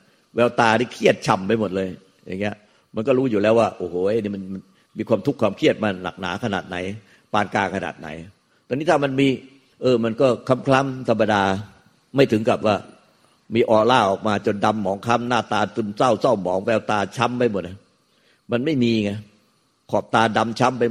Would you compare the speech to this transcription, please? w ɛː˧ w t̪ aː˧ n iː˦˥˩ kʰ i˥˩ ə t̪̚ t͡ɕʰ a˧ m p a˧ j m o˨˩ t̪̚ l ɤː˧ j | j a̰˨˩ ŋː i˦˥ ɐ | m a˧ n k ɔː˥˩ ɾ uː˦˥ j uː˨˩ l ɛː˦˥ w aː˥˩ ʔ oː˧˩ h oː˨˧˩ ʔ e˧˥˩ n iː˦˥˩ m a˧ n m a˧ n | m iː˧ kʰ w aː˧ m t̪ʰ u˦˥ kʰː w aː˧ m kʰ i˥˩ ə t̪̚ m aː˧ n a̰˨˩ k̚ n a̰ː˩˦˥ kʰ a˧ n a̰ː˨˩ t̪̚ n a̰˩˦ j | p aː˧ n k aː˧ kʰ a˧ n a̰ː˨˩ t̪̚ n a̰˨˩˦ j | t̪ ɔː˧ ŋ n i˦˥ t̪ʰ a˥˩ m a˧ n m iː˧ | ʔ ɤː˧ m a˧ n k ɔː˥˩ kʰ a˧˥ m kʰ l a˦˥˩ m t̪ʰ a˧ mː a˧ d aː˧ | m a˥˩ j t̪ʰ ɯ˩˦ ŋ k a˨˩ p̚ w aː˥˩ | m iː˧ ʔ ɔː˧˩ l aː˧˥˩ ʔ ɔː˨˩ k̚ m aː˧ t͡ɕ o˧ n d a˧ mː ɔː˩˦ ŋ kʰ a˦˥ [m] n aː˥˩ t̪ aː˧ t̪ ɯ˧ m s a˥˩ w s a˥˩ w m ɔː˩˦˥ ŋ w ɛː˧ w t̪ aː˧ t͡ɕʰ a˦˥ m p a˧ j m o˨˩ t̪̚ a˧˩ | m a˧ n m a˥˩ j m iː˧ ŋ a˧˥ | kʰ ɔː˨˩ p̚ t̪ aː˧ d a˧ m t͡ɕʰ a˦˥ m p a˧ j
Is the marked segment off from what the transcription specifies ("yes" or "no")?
no